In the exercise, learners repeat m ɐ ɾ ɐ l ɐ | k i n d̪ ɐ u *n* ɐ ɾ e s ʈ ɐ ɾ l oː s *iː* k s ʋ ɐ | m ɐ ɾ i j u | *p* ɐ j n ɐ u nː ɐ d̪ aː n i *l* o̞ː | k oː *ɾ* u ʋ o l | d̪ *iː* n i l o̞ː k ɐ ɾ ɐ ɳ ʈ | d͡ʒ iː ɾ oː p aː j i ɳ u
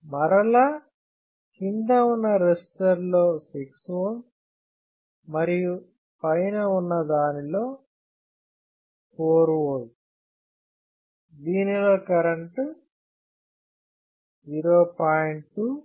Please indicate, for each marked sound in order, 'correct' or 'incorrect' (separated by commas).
incorrect, incorrect, correct, correct, correct, correct